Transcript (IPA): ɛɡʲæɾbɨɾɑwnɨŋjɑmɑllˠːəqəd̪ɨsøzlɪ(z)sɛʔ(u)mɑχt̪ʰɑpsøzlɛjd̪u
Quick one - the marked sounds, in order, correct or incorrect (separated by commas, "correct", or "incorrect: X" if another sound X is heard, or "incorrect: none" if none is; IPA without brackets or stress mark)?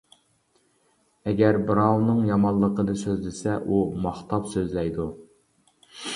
incorrect: none, correct